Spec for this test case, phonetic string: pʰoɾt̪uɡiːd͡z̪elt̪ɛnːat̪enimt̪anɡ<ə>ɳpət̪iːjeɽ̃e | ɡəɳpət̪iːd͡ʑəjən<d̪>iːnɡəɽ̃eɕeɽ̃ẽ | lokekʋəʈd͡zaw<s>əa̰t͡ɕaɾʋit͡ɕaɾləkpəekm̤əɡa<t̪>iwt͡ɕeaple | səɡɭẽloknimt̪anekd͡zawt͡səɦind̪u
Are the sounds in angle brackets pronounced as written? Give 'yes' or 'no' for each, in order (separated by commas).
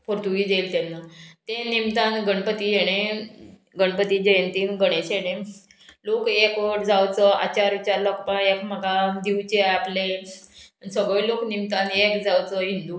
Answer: yes, no, no, no